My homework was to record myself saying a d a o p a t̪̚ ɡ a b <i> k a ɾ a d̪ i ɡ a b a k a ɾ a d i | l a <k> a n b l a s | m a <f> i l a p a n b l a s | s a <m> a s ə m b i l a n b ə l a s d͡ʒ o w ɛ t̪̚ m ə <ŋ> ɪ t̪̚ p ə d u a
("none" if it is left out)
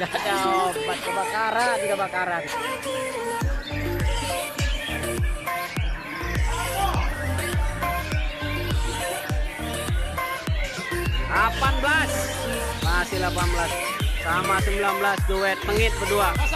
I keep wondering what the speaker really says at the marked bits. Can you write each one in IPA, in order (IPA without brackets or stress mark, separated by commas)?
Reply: a, p, s, m, ŋ